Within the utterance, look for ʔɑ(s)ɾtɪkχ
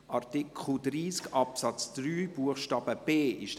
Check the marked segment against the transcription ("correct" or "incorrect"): incorrect